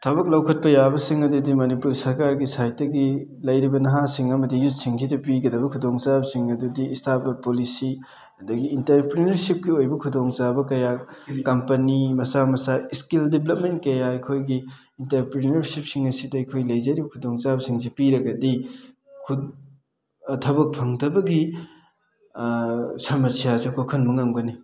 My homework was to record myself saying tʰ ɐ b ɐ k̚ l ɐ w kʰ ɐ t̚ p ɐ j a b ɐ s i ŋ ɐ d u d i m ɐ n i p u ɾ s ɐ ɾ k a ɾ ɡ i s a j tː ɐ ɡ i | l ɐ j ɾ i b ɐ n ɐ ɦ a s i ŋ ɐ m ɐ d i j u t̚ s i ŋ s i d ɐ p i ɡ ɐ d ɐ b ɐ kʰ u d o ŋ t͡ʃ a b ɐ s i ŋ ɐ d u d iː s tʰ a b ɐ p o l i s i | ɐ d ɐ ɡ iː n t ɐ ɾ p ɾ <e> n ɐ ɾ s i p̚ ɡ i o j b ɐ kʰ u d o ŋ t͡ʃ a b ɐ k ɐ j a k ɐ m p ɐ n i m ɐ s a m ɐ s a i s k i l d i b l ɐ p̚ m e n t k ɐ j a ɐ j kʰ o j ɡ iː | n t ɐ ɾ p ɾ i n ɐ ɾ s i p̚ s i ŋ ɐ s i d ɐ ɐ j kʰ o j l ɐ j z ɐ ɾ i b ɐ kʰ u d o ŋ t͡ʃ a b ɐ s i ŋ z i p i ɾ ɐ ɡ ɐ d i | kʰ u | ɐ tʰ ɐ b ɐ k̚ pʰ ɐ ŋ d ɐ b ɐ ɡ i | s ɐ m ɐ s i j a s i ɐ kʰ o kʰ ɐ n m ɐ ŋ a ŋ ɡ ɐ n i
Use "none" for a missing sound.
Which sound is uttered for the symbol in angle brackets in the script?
i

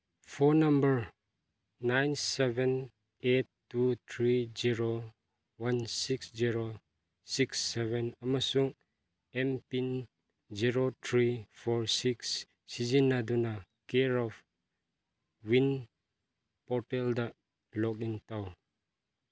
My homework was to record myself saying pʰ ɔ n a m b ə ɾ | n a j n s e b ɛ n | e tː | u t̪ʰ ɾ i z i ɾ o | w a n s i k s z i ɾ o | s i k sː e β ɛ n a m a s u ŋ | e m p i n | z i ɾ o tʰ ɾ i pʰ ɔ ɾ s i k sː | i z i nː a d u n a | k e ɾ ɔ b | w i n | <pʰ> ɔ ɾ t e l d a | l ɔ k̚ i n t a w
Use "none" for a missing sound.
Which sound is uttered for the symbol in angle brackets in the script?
p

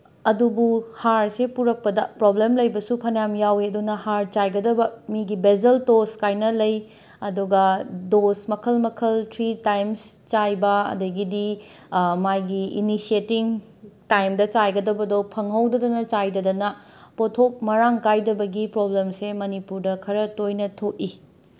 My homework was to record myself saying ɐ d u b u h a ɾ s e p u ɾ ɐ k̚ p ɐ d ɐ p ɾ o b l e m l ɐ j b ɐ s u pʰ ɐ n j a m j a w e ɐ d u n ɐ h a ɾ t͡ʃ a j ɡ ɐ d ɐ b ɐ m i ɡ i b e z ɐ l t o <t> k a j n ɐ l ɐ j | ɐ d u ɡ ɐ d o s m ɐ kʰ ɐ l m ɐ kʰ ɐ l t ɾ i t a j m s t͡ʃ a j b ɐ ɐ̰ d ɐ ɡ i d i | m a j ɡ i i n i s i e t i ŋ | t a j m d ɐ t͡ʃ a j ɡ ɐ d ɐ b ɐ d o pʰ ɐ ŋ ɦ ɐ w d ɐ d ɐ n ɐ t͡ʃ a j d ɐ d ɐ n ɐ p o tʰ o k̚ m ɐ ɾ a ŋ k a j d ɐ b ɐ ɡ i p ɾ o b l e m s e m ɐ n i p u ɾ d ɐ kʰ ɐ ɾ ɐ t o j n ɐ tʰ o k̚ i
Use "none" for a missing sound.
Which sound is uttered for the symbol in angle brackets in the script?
s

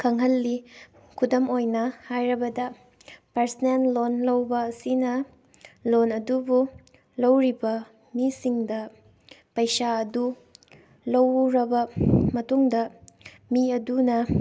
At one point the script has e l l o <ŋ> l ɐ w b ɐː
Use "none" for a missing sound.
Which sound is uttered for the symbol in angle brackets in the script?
n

